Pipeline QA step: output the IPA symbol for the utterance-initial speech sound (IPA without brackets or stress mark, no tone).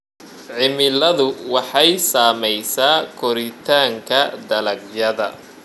ʕ